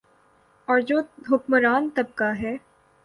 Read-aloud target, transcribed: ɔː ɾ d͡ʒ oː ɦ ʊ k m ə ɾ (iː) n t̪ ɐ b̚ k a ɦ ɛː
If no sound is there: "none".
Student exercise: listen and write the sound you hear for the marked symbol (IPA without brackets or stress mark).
aː